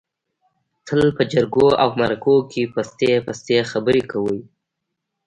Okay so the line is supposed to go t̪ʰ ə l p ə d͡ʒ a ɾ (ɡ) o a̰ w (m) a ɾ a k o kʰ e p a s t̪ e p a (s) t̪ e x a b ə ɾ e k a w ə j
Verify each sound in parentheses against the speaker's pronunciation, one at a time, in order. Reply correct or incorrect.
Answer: correct, correct, correct

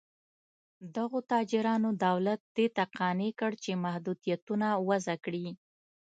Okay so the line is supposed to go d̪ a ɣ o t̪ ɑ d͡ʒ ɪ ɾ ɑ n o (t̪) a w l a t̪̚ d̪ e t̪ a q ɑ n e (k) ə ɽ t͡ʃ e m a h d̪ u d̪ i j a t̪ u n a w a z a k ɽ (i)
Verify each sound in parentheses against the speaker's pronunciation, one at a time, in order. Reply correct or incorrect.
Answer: incorrect: d̪, correct, correct

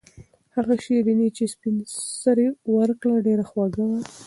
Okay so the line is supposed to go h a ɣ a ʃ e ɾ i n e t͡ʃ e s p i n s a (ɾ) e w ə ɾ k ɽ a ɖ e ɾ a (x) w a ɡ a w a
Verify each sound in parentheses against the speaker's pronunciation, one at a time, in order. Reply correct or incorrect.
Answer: correct, correct

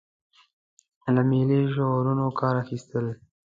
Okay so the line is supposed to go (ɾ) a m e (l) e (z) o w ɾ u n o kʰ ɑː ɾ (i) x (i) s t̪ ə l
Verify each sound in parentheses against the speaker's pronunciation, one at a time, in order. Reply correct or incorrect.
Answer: incorrect: l, correct, incorrect: ʒ, incorrect: a, correct

